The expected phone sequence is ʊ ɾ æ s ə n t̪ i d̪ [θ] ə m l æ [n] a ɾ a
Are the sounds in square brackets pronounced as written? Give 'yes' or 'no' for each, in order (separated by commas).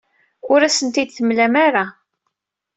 yes, no